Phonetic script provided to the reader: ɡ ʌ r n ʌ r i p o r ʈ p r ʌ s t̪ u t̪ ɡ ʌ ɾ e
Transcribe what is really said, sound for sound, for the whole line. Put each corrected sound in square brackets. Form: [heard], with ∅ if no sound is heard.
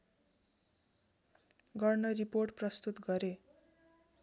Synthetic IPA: ɡ ʌ r n ʌ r i p o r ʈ p r ʌ s t̪ u t̪ ɡ ʌ ɾ e